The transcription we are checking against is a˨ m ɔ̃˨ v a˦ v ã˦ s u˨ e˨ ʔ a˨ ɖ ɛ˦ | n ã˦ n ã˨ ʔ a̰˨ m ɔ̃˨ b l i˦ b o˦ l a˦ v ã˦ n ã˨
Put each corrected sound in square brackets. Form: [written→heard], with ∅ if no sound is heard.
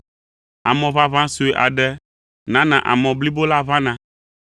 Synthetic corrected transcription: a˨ m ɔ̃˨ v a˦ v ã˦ s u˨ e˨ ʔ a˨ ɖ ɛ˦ | n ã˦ n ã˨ ʔ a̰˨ m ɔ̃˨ b l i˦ b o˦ l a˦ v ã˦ n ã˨